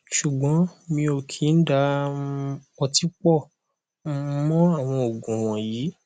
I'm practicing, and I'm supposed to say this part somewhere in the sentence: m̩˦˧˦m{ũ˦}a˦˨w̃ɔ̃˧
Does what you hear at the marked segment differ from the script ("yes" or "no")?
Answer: yes